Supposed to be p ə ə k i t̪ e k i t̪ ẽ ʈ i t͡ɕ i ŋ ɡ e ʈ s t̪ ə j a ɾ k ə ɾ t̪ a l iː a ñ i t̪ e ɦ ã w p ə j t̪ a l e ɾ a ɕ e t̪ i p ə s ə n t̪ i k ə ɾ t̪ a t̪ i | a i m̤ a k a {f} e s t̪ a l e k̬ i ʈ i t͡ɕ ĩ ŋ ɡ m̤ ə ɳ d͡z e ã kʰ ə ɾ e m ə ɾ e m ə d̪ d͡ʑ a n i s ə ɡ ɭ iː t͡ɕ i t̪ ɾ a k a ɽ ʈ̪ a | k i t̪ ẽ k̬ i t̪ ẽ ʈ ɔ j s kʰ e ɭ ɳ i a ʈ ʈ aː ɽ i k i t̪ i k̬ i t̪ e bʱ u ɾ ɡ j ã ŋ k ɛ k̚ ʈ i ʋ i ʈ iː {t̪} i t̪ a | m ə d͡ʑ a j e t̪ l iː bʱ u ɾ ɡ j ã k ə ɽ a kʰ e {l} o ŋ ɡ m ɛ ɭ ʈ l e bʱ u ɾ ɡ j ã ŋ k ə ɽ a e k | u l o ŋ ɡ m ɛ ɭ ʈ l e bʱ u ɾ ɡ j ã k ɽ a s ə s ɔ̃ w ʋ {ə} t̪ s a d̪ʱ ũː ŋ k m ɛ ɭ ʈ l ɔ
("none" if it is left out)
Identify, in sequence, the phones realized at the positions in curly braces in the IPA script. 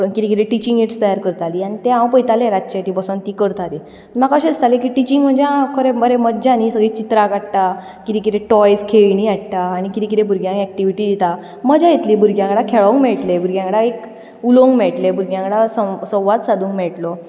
ɕ, d̪, ɭ, a

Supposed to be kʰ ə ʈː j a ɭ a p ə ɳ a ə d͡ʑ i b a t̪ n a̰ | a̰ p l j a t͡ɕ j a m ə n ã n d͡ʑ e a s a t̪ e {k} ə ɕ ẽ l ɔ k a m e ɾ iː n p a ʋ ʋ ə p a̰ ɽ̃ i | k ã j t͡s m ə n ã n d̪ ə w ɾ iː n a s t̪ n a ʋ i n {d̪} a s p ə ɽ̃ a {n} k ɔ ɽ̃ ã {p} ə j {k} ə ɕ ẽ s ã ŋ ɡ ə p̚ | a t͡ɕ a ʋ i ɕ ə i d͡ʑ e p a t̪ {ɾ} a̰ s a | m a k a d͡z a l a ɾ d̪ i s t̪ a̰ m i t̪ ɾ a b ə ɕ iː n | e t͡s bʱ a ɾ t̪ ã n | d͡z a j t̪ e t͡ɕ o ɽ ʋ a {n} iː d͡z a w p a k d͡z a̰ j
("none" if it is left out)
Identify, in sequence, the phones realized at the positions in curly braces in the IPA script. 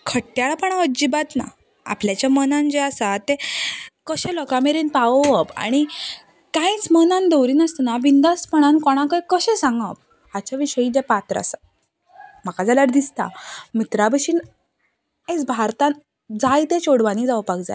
k, d̪, n, k, k, ɾ, n

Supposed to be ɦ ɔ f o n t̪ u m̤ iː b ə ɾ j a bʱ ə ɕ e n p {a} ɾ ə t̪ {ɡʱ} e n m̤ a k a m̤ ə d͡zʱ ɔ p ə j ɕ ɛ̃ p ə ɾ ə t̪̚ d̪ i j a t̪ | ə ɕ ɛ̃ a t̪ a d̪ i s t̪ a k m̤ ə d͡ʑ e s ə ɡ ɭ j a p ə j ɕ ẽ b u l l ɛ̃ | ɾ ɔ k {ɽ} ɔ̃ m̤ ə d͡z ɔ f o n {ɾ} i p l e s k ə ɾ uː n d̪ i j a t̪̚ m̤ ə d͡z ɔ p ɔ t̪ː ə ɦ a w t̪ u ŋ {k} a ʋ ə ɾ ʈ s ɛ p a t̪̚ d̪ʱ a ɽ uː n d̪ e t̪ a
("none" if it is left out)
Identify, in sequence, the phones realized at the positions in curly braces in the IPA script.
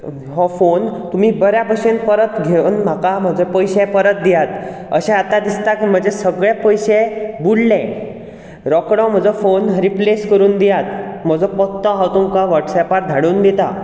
ə, ɡʱ, ɽ, ɾ, k

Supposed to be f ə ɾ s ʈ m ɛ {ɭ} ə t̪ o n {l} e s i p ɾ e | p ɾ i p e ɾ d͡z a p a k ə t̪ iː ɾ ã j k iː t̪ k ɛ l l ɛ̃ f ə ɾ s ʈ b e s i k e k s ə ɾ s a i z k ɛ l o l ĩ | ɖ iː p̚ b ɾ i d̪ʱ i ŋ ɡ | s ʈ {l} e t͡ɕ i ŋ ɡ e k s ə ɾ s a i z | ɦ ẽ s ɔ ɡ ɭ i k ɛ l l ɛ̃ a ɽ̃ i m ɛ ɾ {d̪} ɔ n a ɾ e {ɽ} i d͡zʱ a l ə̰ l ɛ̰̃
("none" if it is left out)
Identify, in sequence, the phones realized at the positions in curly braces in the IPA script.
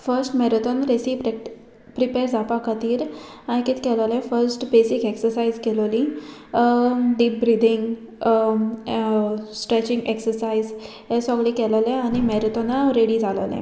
ɾ, ɾ, ɾ, t̪, ɽ

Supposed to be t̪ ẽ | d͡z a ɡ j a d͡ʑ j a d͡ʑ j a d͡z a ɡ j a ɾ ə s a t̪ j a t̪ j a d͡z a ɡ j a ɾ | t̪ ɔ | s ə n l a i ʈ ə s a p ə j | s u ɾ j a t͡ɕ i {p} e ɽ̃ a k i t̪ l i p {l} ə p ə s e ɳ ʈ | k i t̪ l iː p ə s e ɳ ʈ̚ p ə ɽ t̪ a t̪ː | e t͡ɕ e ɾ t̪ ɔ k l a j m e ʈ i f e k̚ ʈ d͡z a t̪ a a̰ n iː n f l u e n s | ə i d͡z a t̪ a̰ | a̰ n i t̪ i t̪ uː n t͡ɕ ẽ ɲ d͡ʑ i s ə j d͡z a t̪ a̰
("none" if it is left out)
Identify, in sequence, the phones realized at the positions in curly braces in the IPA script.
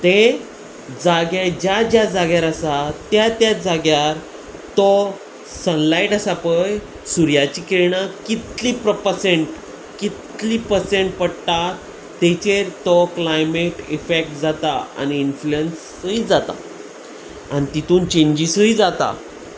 k, ɾ

